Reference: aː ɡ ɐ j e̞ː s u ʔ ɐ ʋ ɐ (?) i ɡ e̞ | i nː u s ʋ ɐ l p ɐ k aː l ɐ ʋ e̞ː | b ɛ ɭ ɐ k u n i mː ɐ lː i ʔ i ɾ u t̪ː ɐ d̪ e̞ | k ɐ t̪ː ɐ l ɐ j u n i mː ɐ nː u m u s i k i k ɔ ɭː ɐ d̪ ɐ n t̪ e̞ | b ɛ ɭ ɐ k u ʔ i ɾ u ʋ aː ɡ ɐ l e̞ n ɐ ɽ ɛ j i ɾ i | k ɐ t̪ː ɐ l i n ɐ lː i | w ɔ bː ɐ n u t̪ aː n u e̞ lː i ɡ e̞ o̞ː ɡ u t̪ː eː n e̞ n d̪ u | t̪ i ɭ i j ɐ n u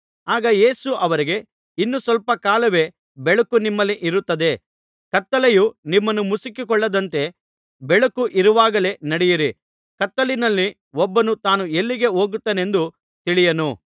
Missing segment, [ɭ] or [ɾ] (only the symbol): ɾ